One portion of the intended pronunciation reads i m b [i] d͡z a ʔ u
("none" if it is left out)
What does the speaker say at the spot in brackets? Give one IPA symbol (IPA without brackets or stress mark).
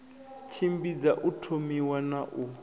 i